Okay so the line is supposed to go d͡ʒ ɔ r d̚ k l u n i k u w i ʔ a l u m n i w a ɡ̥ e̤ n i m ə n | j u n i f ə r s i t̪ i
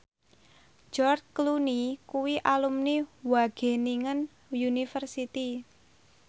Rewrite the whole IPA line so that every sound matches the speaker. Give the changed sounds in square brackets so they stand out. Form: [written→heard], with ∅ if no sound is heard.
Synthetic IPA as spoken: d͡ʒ ɔ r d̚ k l u n i k u w i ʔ a l u m n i w a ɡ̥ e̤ n i [m→ŋ] ə n | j u n i f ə r s i t̪ i